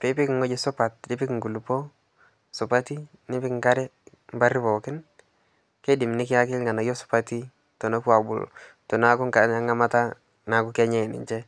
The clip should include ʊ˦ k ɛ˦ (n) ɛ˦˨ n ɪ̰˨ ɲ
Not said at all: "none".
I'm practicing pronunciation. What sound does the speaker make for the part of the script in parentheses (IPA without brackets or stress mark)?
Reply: ɲ